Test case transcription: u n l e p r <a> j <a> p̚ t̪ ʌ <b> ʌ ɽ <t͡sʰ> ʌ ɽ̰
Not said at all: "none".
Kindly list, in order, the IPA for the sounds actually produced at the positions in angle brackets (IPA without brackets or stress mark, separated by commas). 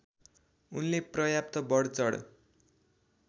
ʌ, a, b, t͡s